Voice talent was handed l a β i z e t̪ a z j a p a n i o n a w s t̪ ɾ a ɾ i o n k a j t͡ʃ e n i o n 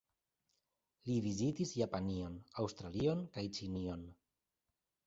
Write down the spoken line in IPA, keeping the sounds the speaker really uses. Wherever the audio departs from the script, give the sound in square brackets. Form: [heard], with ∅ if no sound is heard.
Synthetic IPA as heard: l [i] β i z [i] t̪ [i] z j a p a n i o n a w s t̪ ɾ a [l] i o n k a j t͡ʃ [i] n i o n